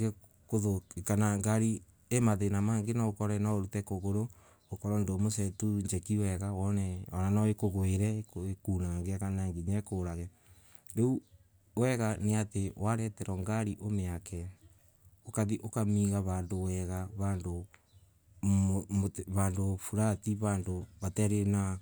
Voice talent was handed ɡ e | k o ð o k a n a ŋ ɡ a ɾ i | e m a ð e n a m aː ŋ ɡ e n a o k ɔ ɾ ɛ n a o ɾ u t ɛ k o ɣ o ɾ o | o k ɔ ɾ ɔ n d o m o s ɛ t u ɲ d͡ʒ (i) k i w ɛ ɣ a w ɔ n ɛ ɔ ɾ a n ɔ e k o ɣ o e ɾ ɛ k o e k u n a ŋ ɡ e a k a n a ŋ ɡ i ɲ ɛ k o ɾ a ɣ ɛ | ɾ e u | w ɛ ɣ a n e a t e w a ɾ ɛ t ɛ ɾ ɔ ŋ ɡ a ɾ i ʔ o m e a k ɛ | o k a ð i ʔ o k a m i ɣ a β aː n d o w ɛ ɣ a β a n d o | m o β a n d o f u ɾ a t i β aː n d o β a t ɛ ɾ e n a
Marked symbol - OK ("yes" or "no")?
no